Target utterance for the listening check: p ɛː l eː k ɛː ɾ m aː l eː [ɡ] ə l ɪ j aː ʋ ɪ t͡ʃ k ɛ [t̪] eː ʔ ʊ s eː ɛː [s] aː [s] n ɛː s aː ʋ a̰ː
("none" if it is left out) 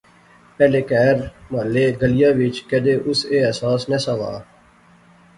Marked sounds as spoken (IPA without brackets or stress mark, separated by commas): ɡ, d̪, s, s